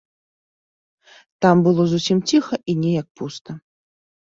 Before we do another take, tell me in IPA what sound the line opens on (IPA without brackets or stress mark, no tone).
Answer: t̪